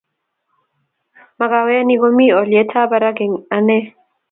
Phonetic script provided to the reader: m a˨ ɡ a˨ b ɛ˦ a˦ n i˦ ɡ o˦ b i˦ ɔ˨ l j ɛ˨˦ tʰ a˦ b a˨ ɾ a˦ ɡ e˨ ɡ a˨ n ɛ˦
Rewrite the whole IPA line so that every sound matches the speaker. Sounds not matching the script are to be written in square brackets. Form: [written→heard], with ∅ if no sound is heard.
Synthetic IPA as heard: m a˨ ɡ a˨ [b→w] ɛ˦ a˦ n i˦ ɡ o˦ [b→m] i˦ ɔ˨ l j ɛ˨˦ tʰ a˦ b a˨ ɾ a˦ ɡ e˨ [ɡ→ŋ] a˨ n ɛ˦